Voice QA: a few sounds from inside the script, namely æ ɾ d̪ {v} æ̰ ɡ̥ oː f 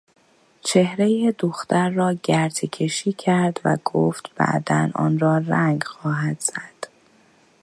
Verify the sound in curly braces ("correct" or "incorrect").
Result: correct